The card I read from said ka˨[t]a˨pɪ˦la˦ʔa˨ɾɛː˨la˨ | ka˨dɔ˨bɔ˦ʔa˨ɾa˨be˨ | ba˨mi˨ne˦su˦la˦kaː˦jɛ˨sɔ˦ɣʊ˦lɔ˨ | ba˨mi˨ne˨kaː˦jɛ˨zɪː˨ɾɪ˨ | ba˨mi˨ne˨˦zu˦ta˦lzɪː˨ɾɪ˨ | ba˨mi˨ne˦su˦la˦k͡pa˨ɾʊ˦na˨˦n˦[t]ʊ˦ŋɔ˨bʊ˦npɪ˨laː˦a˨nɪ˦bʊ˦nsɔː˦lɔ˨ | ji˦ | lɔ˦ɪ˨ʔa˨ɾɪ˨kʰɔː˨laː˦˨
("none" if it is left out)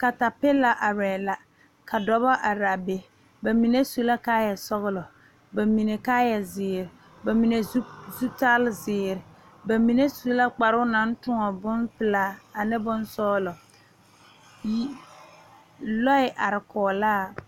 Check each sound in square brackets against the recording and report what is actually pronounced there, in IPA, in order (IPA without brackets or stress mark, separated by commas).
t, t